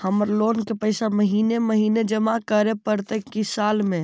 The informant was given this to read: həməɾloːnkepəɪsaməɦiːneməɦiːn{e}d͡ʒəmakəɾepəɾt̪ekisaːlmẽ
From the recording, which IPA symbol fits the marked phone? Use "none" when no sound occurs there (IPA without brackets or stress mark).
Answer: e